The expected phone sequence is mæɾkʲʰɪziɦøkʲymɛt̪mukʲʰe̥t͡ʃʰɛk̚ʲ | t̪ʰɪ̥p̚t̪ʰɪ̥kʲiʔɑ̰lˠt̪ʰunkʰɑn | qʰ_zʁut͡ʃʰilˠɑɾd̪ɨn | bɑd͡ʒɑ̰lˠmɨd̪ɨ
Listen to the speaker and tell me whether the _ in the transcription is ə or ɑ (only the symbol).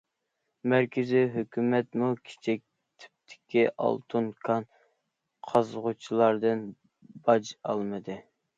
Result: ɑ